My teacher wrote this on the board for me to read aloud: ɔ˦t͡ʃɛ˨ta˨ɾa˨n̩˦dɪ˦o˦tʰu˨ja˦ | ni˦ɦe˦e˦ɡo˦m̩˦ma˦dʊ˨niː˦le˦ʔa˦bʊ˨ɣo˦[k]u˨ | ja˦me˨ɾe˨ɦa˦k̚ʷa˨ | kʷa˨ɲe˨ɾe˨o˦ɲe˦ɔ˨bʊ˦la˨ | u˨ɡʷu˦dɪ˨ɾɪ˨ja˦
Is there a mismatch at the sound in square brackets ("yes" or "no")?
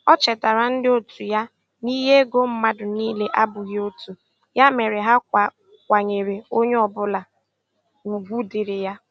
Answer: yes